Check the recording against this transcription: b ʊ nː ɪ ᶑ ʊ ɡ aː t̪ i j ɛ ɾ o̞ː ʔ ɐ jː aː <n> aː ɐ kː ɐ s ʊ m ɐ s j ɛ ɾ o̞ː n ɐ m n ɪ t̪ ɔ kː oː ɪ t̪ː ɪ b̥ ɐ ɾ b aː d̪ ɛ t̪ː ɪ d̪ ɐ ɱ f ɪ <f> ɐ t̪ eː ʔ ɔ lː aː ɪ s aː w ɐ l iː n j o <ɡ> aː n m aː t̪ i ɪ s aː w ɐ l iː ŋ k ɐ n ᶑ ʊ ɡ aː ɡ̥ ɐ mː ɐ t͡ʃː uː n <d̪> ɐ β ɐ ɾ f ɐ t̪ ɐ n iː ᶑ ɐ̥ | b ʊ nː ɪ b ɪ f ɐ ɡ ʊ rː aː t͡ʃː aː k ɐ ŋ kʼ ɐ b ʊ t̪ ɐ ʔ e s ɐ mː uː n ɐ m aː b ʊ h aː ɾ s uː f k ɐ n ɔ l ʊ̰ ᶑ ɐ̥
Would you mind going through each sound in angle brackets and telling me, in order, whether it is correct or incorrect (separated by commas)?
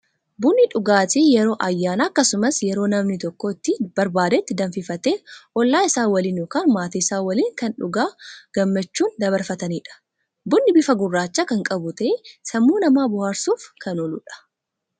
correct, correct, incorrect, correct